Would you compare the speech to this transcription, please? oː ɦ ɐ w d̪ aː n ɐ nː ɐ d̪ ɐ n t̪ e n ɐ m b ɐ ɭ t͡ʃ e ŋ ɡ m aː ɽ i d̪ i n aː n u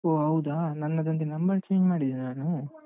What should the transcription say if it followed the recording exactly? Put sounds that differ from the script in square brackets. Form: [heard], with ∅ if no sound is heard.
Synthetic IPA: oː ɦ ɐ w d̪ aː n ɐ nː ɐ d̪ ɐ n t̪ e n ɐ m b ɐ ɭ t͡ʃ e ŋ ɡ m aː ɽ i d̪ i n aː n u